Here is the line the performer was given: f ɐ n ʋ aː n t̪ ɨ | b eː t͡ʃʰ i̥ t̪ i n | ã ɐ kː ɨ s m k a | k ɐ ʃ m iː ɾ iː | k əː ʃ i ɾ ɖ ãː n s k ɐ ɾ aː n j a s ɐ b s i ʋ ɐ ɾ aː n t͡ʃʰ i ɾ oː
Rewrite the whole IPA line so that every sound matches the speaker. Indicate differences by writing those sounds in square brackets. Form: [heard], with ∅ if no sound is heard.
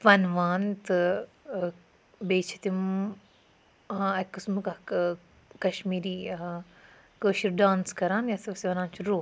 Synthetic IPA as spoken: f ɐ n ʋ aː n t̪ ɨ | b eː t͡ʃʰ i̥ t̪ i [m] | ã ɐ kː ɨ s m k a | k ɐ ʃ m iː ɾ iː | k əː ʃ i ɾ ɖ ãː n s k ɐ ɾ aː n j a s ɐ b s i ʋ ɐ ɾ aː n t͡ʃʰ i ɾ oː